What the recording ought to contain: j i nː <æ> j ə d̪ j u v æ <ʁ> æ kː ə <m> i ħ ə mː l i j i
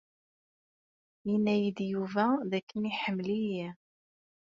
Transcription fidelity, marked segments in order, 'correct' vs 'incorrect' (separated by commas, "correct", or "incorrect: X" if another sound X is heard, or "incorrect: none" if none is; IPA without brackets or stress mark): correct, incorrect: ð, incorrect: n